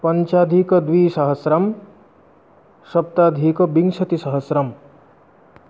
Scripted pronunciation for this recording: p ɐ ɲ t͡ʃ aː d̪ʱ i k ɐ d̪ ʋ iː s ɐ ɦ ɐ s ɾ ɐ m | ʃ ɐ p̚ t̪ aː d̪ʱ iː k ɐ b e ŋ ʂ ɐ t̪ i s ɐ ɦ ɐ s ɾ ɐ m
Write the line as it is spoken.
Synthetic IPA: p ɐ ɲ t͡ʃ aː d̪ʱ i k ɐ d̪ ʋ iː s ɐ ɦ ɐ s ɾ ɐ m | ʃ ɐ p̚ t̪ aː d̪ʱ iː k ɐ b i ŋ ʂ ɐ t̪ i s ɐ ɦ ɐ s ɾ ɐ m